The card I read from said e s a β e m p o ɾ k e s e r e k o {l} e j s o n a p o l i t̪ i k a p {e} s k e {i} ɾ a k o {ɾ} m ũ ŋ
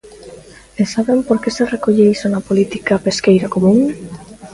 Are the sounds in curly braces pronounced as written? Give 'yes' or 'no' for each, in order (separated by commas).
no, yes, no, no